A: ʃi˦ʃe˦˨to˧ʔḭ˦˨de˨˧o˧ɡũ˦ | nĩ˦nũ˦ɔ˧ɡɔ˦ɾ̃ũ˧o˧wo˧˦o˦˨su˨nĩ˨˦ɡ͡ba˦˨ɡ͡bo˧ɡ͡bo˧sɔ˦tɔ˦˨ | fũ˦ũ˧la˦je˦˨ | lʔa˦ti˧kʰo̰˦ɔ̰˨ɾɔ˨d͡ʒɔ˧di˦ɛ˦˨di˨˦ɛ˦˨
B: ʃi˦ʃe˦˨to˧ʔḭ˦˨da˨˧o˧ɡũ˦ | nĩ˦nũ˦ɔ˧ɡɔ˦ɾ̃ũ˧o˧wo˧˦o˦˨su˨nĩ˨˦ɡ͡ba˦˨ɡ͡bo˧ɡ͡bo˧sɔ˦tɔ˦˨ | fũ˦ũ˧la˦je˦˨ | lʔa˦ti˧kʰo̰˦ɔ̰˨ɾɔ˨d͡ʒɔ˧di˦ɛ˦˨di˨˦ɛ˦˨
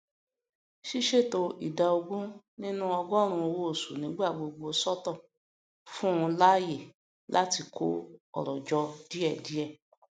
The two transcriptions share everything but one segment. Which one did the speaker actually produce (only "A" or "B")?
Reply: B